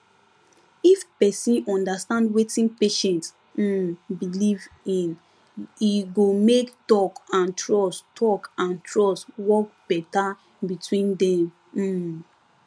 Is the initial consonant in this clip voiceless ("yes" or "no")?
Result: yes